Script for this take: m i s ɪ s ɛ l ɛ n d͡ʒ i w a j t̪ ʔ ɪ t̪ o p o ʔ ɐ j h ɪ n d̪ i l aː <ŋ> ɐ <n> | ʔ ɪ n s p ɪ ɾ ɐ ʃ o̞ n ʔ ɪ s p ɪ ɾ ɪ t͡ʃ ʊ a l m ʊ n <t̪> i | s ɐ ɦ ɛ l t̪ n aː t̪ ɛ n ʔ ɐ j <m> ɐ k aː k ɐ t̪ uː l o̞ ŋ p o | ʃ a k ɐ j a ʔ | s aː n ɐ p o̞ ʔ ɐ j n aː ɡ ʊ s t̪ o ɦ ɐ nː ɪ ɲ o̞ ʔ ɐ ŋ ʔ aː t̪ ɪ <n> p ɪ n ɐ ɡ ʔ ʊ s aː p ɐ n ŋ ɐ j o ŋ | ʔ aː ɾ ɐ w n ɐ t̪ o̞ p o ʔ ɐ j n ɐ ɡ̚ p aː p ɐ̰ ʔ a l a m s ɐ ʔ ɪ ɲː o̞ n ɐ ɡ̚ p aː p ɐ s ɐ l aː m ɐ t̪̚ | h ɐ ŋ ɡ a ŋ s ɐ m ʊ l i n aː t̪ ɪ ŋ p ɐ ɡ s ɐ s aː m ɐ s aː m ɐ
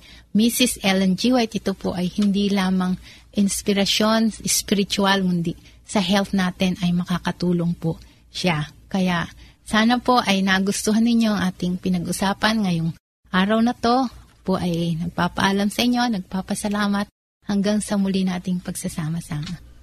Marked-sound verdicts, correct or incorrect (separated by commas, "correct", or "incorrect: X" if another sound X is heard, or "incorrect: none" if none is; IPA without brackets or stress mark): incorrect: m, incorrect: ŋ, incorrect: d̪, correct, incorrect: ŋ